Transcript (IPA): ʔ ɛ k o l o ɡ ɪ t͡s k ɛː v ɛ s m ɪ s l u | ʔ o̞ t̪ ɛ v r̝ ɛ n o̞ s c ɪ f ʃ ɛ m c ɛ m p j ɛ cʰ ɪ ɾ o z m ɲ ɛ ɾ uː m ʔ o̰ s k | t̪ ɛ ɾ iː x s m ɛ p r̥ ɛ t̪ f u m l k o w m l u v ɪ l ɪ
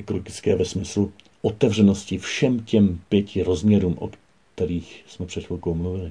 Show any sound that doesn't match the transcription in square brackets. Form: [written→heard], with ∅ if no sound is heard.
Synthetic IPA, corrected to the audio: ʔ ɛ k o l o ɡ ɪ t͡s k ɛː v ɛ s m ɪ s l u | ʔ o̞ t̪ ɛ v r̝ ɛ n o̞ s c ɪ f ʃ ɛ m c ɛ m p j ɛ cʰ ɪ ɾ o z m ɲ ɛ ɾ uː m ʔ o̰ [s→∅] k | t̪ ɛ ɾ iː x s m ɛ p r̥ ɛ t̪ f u [m→∅] l k o w m l u v ɪ l ɪ